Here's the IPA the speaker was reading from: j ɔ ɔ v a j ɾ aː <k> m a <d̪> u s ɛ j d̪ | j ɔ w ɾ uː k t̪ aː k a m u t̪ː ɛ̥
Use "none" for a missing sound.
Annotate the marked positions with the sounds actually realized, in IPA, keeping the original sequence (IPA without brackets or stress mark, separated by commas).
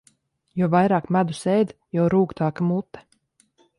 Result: k, d̪